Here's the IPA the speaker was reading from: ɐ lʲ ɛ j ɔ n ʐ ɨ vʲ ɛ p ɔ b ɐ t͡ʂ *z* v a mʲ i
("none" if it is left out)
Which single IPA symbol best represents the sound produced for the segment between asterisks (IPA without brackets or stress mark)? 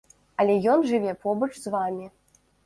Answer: z